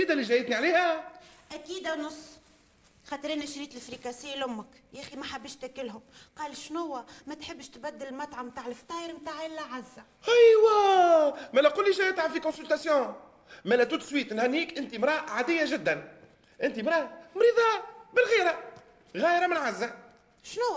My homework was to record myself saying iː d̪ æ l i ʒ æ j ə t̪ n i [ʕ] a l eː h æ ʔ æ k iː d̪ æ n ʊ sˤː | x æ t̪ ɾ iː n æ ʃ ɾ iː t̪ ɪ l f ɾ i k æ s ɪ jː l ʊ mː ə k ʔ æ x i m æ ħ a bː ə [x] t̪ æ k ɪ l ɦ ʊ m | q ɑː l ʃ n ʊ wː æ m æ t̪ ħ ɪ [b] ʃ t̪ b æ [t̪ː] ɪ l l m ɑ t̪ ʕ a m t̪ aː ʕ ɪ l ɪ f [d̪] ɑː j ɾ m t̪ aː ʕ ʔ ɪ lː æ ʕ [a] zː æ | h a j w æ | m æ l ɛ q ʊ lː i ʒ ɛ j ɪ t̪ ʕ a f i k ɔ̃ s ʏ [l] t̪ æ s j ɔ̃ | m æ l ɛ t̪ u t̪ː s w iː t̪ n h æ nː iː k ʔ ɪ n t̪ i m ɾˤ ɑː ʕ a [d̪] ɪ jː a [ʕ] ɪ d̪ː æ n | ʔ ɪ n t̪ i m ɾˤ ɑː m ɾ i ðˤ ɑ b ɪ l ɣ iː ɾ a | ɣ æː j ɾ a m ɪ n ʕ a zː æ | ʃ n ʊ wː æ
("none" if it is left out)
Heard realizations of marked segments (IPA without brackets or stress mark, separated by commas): ʕ, ʃ, bː, d̪ː, t̪, a, l, d̪, ʒ